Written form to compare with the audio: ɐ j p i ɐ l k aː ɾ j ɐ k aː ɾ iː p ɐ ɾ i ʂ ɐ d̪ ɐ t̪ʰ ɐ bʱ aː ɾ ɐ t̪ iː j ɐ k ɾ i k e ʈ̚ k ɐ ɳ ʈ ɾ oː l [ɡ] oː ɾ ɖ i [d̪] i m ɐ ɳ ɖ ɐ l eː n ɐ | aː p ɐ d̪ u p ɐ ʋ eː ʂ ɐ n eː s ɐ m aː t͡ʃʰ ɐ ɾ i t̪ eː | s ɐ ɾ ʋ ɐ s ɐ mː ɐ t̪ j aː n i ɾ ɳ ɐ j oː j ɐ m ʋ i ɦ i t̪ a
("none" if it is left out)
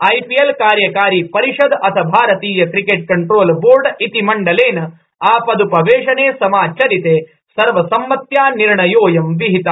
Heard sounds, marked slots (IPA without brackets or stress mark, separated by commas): b, t̪